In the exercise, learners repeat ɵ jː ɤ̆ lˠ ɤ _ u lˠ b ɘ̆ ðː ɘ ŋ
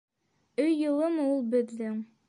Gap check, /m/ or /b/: m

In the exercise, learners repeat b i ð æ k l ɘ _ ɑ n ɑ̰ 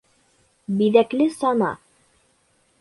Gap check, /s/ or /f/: s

